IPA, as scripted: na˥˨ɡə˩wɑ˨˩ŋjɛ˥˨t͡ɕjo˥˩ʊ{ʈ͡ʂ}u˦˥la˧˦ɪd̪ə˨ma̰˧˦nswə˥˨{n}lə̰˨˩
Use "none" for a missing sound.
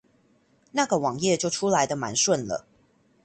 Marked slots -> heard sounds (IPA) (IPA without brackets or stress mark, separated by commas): ʈ͡ʂʰ, n